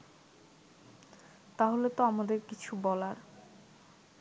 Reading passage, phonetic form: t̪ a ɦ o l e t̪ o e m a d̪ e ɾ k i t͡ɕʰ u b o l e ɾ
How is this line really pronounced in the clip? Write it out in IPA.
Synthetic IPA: t̪ a ɦ o l e t̪ o a m a d̪ e ɾ k i t͡ɕʰ u b ɔ l a ɾ